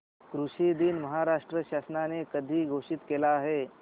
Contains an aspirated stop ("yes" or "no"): no